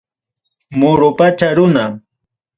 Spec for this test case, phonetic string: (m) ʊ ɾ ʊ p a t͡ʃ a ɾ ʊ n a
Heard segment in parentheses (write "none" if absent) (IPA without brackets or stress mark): m